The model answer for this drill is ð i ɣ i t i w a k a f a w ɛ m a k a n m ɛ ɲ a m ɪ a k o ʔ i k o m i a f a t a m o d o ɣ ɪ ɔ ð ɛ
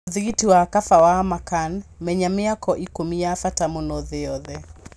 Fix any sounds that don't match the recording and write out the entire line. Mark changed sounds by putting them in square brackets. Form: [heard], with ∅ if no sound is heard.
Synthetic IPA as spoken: ð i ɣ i t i w a k a f a w [a] m a k a n m ɛ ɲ a m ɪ a k [ɔ] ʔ i k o m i a f a t a m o [n] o [ð] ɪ ɔ ð ɛ